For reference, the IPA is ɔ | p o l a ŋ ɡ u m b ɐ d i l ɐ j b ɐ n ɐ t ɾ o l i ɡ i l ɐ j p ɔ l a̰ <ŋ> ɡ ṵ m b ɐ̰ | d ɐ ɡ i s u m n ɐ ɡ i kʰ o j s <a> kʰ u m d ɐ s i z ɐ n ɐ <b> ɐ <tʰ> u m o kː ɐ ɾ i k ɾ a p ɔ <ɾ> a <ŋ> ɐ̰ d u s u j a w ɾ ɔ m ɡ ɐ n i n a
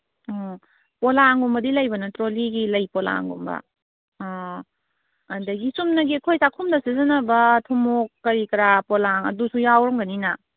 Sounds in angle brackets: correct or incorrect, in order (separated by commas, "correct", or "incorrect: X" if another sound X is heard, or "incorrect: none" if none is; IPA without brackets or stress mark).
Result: correct, correct, correct, correct, incorrect: l, correct